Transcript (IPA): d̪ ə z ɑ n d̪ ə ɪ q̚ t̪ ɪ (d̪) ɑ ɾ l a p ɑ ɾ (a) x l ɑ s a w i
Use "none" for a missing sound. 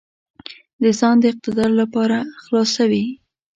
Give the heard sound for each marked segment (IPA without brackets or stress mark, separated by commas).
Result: d̪, a